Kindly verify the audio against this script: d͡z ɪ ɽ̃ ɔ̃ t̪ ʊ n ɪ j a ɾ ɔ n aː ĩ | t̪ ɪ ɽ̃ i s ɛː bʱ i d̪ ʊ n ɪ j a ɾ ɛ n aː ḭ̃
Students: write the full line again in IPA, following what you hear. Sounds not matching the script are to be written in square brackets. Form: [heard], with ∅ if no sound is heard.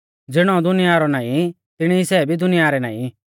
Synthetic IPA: d͡z ɪ ɽ̃ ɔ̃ [d̪] ʊ n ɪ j a ɾ ɔ n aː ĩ | t̪ ɪ ɽ̃ i s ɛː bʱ i d̪ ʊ n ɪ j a ɾ ɛ n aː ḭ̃